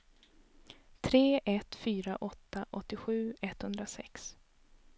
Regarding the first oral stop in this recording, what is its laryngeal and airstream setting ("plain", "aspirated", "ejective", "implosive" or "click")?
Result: aspirated